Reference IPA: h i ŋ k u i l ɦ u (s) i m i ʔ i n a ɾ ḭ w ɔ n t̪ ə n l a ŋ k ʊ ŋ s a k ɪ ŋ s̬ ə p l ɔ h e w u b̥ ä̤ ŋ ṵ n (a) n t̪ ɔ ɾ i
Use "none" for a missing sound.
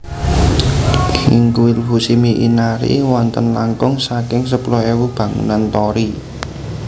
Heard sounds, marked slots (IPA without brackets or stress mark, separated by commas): s, a